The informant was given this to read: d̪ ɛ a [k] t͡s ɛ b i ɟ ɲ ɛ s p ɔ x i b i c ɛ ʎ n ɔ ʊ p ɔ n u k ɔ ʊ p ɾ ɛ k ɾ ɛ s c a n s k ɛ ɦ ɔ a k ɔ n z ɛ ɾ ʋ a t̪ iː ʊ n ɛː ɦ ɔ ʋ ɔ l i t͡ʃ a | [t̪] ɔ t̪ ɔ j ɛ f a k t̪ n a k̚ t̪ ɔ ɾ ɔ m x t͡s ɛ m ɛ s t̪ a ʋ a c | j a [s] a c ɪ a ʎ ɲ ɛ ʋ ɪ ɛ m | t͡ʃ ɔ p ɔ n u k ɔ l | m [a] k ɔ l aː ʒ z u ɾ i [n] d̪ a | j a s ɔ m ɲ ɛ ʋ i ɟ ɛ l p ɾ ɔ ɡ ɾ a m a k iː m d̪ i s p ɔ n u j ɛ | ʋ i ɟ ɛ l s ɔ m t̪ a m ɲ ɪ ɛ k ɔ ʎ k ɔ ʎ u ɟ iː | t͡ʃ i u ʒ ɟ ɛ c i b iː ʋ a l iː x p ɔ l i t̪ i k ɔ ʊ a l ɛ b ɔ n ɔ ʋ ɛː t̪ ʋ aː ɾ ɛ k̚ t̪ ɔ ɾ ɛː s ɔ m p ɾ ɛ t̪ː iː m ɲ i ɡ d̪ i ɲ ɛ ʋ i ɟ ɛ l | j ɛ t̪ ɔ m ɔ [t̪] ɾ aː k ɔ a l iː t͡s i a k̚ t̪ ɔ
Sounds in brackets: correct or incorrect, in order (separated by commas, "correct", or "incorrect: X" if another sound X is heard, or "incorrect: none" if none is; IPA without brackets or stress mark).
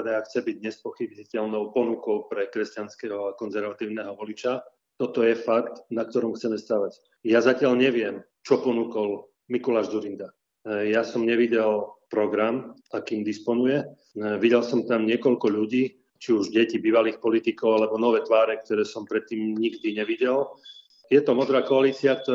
incorrect: x, correct, incorrect: z, incorrect: i, correct, incorrect: d̪